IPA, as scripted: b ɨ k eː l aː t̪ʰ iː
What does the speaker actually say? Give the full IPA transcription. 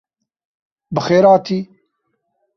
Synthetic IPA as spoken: b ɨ x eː ɾ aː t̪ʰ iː